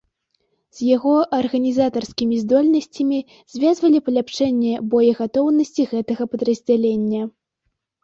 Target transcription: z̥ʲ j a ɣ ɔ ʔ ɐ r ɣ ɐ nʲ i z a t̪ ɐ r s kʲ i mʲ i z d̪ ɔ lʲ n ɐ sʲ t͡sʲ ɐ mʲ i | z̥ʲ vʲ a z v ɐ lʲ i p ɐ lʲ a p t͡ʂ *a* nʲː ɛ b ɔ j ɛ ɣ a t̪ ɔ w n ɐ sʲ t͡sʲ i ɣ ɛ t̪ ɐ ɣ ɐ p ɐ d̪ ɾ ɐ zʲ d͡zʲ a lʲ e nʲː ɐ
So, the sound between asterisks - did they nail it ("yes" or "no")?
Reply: no